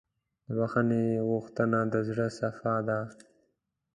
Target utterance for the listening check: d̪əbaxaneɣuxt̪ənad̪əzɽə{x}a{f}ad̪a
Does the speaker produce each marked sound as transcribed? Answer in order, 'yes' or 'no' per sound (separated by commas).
no, yes